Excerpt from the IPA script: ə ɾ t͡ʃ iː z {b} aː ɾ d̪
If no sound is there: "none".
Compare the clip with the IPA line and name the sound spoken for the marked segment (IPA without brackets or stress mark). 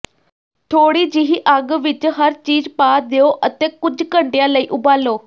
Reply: p